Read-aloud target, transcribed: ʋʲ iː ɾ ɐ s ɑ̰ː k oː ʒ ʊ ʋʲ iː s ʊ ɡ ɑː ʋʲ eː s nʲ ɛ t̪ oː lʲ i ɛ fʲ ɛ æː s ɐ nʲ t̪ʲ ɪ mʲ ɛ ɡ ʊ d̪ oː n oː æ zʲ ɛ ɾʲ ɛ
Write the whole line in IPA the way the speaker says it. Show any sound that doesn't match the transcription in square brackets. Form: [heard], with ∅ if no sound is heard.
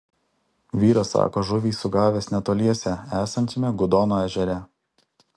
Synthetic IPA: ʋʲ iː ɾ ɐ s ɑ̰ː k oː ʒ ʊ ʋʲ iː s ʊ ɡ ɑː ʋʲ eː s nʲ ɛ t̪ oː lʲ i ɛ [sʲ] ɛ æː s ɐ nʲ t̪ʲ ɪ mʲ ɛ ɡ ʊ d̪ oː n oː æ [ʒʲ] ɛ ɾʲ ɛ